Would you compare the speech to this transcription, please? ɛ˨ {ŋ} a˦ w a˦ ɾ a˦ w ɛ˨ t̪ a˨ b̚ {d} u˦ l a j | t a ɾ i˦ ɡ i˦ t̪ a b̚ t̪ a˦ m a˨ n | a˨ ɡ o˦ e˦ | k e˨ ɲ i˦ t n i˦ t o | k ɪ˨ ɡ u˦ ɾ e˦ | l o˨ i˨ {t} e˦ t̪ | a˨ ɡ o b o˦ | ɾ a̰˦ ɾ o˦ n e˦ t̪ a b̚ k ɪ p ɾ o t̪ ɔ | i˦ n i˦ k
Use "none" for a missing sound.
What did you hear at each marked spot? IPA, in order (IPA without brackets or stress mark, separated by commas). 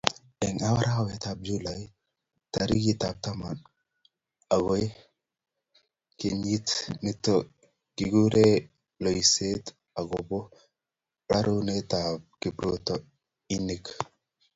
ŋ, d͡ʒ, s